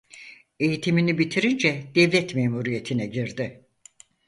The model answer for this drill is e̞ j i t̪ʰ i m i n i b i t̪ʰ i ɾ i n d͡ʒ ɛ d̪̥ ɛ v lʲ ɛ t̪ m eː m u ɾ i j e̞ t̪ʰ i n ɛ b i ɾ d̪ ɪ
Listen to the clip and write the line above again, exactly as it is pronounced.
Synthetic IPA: e̞ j i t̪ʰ i m i n i b i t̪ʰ i ɾ i n d͡ʒ ɛ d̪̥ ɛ v lʲ ɛ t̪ m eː m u ɾ i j e̞ t̪ʰ i n ɛ ɟ i ɾ d̪ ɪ